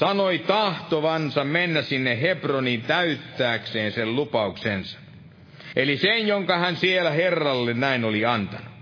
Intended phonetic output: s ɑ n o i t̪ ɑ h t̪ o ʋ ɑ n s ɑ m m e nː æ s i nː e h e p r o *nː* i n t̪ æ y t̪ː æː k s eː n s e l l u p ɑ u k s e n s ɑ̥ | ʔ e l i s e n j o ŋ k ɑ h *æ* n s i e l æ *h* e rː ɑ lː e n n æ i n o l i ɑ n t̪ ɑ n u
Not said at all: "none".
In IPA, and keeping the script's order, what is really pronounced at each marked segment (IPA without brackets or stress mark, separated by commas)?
n, æ, h